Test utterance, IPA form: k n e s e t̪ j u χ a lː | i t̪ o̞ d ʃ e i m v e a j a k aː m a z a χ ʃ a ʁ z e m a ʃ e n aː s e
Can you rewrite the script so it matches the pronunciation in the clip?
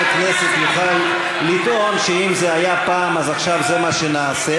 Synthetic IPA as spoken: k n e s e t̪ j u χ a lː | i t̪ o̞ n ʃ e i m z e a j a p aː m a z a χ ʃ a v z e m a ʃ e n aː s e